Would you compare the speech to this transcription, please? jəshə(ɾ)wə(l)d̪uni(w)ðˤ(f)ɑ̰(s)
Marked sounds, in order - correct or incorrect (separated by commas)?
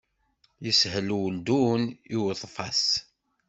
incorrect, correct, correct, correct, correct